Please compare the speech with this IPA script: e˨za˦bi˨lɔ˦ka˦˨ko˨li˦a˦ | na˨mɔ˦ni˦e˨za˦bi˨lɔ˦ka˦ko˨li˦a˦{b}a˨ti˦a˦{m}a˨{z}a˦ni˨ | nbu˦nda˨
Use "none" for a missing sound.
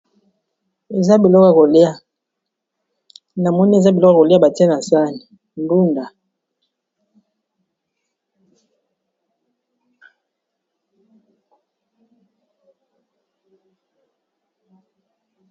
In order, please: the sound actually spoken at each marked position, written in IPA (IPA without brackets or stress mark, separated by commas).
b, n, s